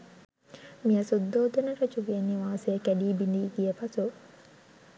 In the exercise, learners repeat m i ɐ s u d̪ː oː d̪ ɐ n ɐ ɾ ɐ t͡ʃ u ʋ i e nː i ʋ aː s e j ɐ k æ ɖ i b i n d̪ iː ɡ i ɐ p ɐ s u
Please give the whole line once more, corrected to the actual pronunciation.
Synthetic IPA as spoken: m i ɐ s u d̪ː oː d̪ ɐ n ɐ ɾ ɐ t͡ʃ u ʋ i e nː i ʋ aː s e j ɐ k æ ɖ iː b i n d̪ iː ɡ i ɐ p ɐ s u